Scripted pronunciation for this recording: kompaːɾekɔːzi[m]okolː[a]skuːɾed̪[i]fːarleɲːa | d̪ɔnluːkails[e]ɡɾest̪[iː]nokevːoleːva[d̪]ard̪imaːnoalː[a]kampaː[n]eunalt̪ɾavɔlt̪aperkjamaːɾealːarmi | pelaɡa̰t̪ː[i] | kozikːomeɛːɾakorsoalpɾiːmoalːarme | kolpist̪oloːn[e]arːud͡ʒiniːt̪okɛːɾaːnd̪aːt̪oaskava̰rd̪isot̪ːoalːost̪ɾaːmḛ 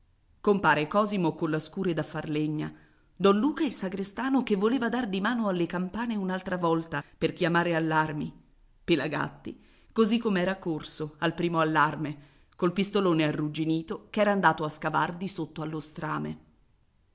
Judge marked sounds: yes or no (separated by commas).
yes, yes, no, no, no, yes, no, yes, yes, yes